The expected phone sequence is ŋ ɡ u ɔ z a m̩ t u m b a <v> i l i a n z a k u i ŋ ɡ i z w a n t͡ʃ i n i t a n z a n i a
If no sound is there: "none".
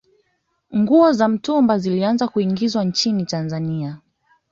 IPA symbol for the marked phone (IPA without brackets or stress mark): z